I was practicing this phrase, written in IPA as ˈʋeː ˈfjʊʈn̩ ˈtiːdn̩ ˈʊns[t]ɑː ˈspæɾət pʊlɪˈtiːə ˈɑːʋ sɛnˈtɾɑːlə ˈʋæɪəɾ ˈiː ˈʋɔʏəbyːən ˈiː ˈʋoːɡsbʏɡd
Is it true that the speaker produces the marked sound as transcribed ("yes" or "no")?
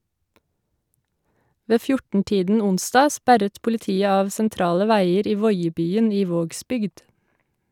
no